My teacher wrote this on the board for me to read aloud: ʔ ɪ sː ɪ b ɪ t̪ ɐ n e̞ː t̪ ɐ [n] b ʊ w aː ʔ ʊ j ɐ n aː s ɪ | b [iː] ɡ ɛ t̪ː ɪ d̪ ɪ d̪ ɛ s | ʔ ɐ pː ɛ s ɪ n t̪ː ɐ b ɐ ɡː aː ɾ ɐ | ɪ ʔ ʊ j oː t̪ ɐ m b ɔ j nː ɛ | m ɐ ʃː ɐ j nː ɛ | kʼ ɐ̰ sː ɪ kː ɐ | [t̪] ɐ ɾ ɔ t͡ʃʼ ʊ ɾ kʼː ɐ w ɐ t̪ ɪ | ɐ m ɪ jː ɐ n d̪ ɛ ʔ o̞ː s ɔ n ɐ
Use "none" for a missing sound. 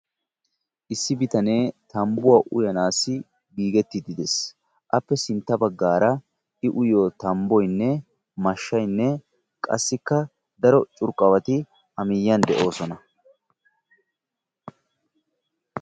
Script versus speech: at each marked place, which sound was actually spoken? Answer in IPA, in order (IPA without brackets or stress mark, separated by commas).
m, iː, d̪